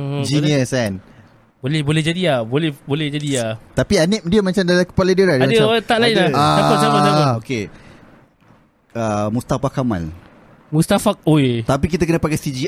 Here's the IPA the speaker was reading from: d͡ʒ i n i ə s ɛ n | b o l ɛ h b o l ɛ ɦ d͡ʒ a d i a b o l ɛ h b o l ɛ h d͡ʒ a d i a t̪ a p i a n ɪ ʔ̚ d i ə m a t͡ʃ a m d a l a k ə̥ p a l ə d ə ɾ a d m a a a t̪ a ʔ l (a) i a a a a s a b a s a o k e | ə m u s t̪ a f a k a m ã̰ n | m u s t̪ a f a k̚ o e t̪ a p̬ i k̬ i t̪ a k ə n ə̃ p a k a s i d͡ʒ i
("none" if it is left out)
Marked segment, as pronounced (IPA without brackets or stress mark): a